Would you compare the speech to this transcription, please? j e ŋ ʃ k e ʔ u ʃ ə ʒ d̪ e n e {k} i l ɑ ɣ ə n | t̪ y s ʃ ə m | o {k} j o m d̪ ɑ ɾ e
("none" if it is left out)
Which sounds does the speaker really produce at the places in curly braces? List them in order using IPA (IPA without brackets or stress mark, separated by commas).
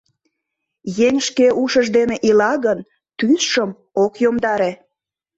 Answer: ʔ, k